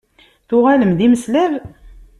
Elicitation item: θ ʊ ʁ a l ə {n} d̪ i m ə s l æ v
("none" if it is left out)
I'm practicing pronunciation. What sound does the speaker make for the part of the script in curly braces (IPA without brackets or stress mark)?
m